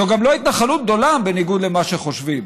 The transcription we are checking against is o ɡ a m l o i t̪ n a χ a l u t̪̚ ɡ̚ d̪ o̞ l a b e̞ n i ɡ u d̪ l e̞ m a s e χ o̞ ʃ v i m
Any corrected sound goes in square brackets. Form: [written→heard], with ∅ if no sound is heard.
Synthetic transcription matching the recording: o ɡ a m l o i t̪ n a χ a l u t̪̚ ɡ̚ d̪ o̞ l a b e̞ n i ɡ u d̪ l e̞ m a [s→ʃ] e χ o̞ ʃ v i m